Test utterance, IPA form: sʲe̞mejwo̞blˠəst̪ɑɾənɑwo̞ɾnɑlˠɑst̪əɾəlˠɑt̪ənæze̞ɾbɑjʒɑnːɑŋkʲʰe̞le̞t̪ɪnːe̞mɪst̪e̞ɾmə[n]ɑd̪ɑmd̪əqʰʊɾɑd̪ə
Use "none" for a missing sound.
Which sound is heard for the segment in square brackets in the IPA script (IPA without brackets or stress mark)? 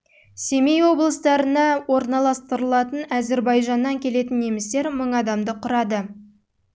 ɴ